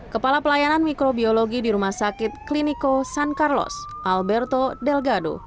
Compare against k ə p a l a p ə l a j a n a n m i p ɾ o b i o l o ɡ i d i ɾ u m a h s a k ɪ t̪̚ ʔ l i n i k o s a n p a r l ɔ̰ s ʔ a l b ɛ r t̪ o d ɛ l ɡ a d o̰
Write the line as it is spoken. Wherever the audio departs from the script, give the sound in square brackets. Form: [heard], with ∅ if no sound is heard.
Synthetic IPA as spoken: k ə p a l a p ə l a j a n a n m i [k] ɾ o b i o l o ɡ i d i ɾ u m a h s a k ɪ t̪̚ [k] l i n i k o s a n [k] a r l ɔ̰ s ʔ a l b ɛ r t̪ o d ɛ l ɡ a d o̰

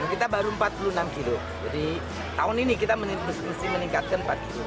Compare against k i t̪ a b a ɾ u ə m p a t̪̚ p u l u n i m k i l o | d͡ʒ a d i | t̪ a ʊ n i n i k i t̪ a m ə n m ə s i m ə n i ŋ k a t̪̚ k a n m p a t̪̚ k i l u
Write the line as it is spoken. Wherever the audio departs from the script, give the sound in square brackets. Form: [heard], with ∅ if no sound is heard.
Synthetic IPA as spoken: k i t̪ a b a ɾ u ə m p a t̪̚ p u l u n [a] m k i l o | d͡ʒ a d i | t̪ a ʊ n i n i k i t̪ a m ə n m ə s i m ə n i ŋ k a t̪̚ k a n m p a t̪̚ k i l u

